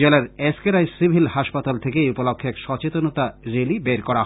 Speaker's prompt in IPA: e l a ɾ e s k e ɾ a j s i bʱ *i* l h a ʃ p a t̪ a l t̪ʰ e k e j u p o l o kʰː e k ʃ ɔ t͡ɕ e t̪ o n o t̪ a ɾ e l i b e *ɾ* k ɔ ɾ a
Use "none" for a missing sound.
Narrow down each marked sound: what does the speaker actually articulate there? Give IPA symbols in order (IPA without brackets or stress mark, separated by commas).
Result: i, ɾ